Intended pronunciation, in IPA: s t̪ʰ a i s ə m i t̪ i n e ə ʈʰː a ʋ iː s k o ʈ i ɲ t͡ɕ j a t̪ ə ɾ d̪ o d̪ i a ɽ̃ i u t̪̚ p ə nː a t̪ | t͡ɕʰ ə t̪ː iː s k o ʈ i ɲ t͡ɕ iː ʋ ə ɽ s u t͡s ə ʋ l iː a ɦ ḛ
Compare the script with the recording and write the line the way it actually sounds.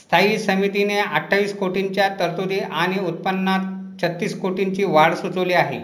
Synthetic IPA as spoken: s t̪ʰ a i s ə m i t̪ i n e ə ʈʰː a ʋ iː s k o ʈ i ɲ t͡ɕ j a t̪ ə ɾ t̪ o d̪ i a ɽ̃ i u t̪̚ p ə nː a t̪ | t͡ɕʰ ə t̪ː iː s k o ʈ i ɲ t͡ɕ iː ʋ a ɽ s u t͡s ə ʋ l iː a ɦ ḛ